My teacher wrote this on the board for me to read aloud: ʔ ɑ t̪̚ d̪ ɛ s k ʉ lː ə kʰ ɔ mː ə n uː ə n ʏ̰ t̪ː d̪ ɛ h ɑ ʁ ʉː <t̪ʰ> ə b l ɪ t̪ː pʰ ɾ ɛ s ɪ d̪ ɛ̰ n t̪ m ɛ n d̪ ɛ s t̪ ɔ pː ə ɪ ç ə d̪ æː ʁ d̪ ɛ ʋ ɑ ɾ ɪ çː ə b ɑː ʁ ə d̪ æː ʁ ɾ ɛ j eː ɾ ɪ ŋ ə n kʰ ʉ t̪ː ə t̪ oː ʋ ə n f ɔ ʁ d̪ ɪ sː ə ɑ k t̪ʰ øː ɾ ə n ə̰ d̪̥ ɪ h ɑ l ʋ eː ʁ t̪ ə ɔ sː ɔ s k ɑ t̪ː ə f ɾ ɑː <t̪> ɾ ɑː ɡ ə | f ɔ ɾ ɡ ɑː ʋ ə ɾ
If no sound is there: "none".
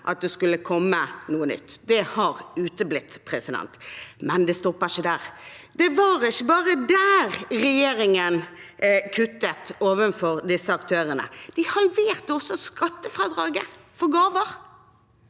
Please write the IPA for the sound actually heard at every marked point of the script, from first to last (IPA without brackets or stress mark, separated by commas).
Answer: t̪, d̪